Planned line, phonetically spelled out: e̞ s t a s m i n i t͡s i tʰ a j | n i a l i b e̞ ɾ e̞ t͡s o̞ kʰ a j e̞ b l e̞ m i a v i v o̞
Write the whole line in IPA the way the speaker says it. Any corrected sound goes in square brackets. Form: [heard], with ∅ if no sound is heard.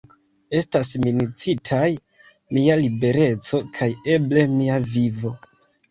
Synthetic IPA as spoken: e̞ s t a s m i n i t͡s i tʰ a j | [m] i a l i b e̞ ɾ e̞ t͡s o̞ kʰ a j e̞ b l e̞ m i a v i v o̞